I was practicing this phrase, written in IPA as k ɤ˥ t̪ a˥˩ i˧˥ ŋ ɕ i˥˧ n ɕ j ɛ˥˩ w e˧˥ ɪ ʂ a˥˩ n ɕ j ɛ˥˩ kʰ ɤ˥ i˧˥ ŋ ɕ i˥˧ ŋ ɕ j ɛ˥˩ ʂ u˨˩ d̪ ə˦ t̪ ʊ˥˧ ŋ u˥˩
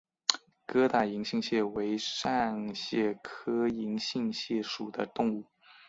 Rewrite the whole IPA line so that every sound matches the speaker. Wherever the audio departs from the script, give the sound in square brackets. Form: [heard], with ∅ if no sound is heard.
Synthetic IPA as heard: k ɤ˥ t̪ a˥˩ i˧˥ ŋ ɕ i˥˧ [ŋ] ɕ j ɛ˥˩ w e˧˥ ɪ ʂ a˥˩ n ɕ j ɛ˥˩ kʰ ɤ˥ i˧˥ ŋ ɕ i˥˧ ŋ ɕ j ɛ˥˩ ʂ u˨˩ d̪ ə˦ t̪ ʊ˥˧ ŋ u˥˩